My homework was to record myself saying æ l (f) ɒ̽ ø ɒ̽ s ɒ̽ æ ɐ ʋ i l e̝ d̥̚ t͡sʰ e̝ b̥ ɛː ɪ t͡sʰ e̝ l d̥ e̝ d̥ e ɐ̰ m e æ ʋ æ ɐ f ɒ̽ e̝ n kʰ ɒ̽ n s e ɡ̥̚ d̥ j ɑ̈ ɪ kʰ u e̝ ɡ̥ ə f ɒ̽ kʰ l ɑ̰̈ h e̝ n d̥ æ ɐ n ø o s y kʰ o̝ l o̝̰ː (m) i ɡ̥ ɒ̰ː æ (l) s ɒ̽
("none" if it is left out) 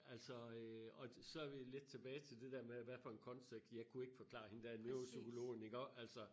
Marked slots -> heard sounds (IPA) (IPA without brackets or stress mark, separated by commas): s, n, l